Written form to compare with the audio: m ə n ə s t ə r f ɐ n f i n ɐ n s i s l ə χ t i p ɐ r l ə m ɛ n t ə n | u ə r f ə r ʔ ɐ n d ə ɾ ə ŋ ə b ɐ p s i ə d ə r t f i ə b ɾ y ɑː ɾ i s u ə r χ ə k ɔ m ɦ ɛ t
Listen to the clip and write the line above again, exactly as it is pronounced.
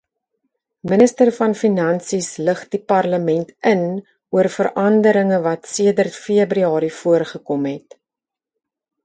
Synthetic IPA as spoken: m ə n ə s t ə r f ɐ n f i n ɐ n s i s l ə χ d i p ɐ r l ə m ɛ n t ə n | u ə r f ə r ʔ ɐ n d ə ɾ ə ŋ ə v ɐ t s i ə d ə r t f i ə b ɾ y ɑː ɾ i f u ə r χ ə k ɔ m ɦ ɛ t